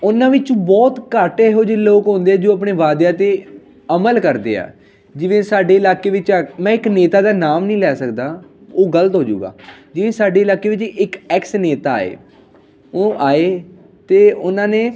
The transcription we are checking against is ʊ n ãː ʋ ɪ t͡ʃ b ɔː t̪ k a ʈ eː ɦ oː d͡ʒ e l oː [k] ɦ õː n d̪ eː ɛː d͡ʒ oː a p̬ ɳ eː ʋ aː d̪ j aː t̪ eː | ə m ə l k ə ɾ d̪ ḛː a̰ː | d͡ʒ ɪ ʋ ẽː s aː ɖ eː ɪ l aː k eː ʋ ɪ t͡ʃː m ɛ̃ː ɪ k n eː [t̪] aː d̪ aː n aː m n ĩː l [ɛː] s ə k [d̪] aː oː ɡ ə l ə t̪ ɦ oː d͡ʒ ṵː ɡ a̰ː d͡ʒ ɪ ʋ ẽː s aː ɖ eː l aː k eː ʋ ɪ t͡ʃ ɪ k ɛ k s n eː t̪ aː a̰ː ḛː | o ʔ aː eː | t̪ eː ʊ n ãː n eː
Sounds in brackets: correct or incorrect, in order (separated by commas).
correct, correct, correct, correct